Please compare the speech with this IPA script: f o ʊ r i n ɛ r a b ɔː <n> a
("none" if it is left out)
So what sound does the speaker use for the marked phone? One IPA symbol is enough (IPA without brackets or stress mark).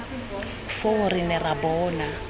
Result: n